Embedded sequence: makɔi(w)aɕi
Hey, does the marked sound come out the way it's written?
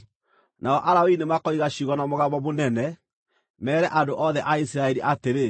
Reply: no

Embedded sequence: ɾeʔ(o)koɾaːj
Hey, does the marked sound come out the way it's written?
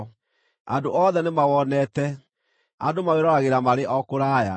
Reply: no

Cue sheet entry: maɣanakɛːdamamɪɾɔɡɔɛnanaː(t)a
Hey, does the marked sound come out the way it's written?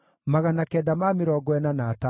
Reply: yes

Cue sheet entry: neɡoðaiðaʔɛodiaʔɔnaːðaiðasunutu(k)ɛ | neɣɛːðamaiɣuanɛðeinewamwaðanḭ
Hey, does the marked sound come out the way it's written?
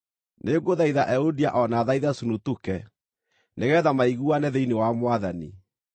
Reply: yes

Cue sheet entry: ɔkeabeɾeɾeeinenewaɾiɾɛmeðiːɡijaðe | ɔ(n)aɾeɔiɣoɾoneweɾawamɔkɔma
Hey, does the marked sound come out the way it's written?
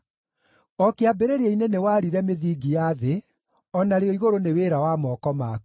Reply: yes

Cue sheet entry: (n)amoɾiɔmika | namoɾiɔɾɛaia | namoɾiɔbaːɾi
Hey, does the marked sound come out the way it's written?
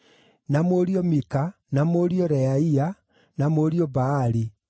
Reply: yes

